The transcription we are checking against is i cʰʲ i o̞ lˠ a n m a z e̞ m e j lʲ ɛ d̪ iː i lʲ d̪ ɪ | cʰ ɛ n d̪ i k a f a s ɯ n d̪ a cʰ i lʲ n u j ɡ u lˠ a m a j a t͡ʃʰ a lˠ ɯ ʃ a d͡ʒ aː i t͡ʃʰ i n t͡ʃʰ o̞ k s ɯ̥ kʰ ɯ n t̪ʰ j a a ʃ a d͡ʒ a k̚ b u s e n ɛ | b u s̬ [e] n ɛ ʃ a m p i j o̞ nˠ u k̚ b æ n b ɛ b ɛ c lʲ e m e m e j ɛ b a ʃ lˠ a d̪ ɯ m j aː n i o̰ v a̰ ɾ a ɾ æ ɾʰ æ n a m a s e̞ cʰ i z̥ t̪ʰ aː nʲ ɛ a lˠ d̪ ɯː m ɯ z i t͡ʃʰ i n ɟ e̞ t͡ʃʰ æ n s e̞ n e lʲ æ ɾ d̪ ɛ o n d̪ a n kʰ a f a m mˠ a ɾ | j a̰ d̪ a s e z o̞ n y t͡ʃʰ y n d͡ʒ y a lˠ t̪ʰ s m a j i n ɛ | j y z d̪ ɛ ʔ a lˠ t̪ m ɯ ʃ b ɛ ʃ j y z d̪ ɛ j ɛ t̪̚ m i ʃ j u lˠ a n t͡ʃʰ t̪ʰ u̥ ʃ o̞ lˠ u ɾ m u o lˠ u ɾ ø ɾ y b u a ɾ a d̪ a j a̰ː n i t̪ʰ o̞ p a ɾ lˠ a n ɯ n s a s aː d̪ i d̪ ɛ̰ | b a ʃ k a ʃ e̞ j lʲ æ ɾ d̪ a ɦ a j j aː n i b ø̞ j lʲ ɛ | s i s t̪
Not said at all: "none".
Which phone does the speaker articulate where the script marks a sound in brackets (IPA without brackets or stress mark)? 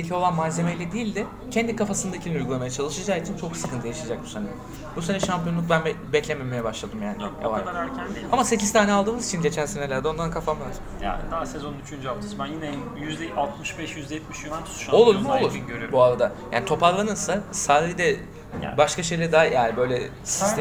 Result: e